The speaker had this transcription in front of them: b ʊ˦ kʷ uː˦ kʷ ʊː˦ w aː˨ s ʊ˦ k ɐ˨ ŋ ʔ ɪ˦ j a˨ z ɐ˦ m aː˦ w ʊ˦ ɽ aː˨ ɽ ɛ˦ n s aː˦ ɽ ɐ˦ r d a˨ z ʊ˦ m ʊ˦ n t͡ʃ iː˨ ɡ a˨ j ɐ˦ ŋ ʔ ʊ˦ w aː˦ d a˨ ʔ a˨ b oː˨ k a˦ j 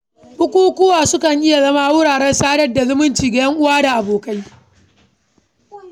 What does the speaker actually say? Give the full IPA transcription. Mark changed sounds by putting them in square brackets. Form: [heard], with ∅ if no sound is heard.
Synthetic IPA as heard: b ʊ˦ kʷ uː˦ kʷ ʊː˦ w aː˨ s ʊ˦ k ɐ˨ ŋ ʔ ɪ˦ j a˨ z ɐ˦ m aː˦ w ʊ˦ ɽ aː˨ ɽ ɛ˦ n s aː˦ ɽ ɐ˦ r d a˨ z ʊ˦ m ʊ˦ n t͡ʃ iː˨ ɡ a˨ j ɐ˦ ŋ ʔ ʊ˦ w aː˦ d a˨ ʔ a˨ b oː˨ k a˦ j